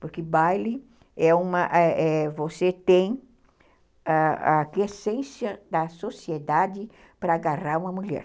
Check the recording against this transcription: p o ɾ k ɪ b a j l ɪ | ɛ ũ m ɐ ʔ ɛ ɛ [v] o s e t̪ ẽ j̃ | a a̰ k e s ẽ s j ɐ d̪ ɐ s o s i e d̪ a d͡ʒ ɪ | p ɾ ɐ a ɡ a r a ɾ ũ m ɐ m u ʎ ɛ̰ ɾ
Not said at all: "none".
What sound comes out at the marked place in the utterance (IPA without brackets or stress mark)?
v